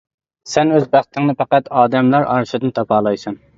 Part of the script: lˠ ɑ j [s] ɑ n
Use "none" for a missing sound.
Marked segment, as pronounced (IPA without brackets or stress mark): s